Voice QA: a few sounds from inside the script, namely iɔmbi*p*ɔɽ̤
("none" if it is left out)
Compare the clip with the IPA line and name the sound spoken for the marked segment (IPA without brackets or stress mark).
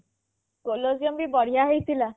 b